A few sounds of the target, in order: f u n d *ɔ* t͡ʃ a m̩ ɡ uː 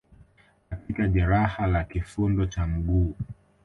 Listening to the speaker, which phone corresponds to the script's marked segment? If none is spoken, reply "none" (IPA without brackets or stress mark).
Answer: ɔ